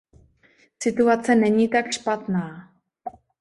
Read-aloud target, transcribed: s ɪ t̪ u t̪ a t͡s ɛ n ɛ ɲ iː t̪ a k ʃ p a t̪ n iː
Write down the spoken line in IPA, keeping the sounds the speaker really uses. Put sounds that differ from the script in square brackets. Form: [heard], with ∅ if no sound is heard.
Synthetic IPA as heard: s ɪ t̪ u [∅] a t͡s ɛ n ɛ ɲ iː t̪ a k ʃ p a t̪ n [aː]